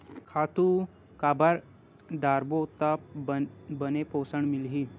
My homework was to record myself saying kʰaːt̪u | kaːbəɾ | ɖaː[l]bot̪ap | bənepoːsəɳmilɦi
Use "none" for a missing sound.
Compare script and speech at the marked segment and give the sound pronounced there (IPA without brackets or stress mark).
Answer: ɾ